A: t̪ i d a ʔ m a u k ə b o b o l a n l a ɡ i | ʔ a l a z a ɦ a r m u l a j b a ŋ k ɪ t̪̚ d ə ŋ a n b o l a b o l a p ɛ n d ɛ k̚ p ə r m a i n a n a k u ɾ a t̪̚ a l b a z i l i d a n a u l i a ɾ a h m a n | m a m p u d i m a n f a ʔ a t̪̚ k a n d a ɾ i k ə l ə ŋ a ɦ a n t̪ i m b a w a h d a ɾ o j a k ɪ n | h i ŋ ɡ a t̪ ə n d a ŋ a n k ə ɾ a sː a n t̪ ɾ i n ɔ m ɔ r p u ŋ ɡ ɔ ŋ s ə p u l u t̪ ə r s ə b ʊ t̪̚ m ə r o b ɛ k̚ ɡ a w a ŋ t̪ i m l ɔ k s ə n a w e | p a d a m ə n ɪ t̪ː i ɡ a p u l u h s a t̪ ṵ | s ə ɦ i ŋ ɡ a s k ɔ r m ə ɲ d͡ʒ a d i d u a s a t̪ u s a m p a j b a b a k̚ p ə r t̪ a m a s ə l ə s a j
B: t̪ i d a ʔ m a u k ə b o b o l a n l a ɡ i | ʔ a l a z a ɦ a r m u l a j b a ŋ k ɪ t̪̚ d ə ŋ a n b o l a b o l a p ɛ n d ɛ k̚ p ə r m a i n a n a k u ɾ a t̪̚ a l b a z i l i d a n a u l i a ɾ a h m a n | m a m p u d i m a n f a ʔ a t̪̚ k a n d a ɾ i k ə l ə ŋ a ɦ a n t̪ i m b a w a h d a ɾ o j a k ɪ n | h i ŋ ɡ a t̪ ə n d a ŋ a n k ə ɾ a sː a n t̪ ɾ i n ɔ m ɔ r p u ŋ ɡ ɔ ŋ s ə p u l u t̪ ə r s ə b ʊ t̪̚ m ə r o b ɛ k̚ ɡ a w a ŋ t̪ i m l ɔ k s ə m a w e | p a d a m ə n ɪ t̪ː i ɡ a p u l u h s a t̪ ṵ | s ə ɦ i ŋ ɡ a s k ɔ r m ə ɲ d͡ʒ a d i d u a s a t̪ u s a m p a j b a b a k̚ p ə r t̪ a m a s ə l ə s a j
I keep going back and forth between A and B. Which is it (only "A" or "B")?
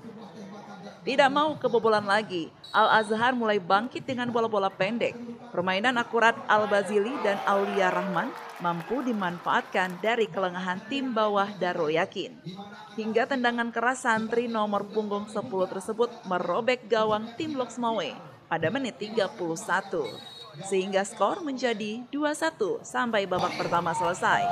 B